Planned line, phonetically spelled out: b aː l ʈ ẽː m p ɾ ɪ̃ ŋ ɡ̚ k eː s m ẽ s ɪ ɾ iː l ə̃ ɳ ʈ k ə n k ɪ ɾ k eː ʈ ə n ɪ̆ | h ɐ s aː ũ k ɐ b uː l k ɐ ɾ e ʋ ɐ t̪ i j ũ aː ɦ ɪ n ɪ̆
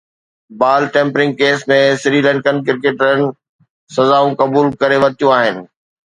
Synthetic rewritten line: b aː l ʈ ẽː m p ɾ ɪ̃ ŋ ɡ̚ k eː s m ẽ s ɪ ɾ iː l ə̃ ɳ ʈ k ə n k ɪ ɾ k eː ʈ ə n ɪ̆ | s ɐ z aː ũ k ɐ b uː l k ɐ ɾ e ʋ ɐ t̪ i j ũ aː ɦ ɪ n ɪ̆